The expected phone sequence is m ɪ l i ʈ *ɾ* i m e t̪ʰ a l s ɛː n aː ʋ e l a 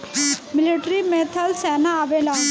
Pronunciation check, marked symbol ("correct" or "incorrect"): correct